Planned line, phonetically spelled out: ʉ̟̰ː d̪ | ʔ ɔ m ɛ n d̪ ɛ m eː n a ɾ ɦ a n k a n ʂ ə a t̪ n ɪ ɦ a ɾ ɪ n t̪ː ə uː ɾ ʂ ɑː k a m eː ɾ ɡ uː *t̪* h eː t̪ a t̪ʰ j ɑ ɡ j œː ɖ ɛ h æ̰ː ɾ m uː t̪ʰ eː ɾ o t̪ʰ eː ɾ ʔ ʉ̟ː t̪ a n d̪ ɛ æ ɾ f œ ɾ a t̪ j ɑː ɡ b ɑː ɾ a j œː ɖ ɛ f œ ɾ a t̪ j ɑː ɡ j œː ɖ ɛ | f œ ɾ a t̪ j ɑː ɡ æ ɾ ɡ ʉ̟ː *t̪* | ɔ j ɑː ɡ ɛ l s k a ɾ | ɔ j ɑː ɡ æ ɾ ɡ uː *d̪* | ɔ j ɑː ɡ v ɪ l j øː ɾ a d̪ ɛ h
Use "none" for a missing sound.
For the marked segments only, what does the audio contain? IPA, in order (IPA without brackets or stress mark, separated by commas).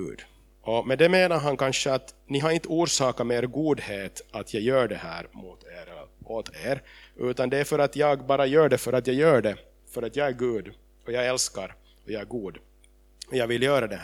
d̪, d̪, d̪